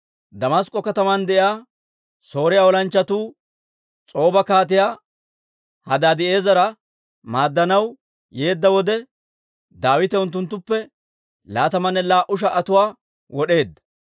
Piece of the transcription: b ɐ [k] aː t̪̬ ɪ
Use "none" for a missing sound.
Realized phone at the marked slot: k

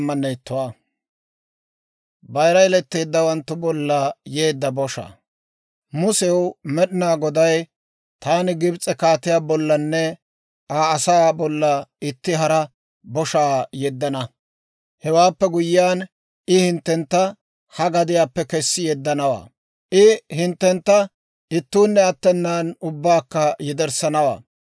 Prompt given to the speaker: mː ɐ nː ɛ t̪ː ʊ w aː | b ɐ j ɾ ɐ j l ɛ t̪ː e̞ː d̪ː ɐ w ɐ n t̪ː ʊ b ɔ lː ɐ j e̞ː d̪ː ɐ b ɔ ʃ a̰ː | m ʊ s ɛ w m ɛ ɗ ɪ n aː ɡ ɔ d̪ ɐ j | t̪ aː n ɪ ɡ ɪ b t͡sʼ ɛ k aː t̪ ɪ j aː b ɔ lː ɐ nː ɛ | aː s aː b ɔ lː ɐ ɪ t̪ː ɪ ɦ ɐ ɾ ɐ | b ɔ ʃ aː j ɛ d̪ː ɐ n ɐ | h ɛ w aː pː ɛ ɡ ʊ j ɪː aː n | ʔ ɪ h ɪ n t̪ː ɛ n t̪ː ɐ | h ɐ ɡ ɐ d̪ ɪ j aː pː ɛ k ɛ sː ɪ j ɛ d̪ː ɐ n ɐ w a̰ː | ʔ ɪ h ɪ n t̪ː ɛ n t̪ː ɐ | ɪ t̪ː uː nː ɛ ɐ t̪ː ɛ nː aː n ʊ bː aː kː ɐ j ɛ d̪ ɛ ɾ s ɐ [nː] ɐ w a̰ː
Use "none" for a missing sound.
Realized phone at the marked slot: n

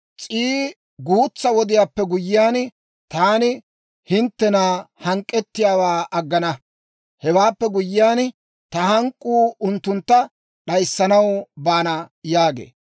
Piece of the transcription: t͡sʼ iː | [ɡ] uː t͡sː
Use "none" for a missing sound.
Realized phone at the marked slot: ɡ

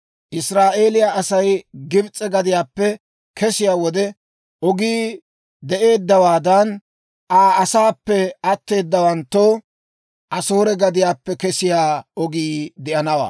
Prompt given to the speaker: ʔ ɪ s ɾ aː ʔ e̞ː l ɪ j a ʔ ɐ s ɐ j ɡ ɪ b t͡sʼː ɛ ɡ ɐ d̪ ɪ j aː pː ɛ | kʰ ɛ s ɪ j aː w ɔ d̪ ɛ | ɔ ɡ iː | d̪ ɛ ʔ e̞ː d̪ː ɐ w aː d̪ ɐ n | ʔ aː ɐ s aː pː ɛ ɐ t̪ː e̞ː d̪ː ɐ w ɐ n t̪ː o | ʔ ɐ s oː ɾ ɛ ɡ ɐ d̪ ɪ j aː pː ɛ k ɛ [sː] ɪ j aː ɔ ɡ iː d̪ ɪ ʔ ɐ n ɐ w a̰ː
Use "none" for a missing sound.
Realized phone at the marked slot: s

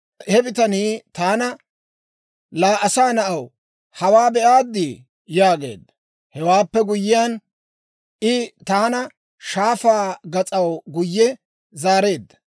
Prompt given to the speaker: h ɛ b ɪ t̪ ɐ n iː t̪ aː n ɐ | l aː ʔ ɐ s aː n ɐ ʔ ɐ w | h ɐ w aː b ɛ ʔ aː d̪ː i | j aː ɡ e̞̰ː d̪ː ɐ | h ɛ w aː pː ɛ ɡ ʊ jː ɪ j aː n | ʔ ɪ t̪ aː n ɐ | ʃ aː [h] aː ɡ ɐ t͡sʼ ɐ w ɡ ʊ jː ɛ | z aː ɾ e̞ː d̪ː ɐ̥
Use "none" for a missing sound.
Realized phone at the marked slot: f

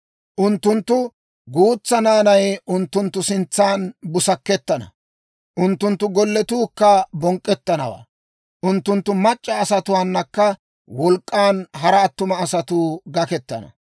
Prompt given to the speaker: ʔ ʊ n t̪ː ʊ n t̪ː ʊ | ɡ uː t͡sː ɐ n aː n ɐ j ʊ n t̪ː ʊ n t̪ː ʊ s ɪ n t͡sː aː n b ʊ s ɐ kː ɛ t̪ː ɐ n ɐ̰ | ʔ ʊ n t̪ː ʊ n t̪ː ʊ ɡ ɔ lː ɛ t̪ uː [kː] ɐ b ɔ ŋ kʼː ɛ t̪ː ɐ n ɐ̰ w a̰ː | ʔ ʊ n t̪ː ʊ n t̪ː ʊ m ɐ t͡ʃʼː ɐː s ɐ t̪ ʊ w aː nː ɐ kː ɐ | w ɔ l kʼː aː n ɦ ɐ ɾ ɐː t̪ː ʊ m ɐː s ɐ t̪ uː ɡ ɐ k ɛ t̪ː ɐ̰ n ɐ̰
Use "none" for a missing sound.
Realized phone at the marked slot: kː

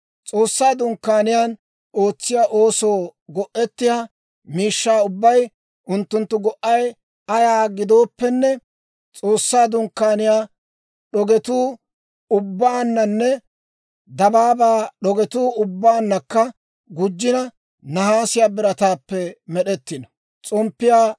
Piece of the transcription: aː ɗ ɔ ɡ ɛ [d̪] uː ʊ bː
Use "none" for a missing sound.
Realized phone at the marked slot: t̪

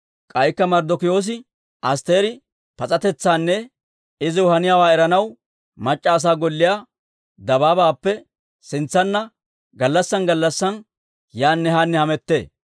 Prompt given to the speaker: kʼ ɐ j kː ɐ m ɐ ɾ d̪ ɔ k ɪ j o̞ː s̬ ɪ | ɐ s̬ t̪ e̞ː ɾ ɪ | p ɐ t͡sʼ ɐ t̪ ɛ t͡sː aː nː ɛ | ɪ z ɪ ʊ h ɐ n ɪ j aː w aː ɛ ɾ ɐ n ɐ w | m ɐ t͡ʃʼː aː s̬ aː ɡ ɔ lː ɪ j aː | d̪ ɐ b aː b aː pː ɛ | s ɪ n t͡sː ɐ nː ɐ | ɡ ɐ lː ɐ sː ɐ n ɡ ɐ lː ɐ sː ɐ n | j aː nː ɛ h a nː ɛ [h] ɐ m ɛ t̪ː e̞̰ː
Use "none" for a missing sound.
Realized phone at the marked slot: h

